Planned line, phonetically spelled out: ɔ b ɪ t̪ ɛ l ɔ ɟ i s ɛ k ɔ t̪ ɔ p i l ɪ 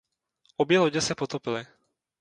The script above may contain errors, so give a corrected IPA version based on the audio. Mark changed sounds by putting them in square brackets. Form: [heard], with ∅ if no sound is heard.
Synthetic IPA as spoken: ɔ b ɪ [∅] ɛ l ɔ ɟ [ɛ] s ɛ [p] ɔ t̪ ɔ p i l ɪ